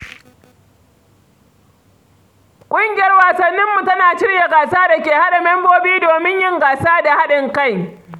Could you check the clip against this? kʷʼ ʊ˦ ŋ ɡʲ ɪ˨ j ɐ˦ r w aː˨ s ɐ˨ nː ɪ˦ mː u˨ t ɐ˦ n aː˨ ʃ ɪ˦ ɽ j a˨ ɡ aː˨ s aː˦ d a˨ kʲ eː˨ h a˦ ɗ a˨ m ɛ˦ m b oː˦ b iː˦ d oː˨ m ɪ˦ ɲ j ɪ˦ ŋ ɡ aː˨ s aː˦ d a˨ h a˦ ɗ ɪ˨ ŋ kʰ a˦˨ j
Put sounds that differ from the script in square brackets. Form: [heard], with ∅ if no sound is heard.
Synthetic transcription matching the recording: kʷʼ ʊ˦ ŋ ɡʲ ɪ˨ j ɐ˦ r w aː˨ s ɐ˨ nː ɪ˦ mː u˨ t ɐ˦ n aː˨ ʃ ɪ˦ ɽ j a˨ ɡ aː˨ s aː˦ d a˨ kʲ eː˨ h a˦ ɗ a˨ m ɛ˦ m b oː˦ b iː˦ d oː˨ m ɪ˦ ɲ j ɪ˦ ŋ ɡ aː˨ s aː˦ d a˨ h a˦ ɗ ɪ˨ ŋ [k] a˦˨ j